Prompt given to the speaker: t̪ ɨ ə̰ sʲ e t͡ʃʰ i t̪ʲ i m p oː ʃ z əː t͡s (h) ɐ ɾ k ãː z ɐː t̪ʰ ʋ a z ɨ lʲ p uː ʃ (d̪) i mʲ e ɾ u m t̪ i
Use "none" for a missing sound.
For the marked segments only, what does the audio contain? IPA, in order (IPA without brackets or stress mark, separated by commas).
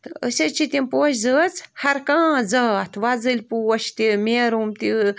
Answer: h, t̪